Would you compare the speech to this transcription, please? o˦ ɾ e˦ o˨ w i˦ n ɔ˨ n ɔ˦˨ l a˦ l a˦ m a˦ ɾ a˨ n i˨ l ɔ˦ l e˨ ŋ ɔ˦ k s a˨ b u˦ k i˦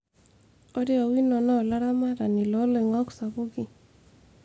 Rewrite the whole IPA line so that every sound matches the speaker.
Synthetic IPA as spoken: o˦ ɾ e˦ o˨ w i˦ n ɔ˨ n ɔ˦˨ l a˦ ɾ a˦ m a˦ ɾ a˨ n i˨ l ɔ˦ l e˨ ŋ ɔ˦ k s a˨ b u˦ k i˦